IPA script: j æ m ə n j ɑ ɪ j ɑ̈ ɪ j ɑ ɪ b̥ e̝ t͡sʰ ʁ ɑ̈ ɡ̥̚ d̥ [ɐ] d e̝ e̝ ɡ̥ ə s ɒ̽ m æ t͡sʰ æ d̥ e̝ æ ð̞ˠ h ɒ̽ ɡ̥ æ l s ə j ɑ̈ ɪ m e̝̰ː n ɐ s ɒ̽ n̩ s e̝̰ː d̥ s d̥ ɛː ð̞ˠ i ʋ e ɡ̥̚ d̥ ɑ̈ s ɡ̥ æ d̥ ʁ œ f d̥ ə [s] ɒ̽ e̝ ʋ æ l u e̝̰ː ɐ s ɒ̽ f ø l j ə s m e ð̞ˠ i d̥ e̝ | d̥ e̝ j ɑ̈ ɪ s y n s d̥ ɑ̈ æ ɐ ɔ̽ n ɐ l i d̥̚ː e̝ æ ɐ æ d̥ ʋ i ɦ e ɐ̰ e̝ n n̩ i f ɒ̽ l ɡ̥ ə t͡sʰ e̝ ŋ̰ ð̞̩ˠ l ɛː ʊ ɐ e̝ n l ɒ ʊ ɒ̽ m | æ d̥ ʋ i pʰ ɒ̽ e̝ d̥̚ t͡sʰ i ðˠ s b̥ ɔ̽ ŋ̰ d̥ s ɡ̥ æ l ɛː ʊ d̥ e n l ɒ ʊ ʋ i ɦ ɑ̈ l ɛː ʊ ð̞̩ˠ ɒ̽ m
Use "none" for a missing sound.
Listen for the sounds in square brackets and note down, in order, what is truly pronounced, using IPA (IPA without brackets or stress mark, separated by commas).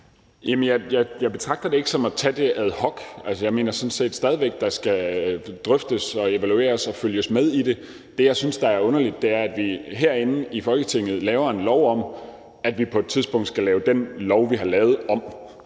ɐ, s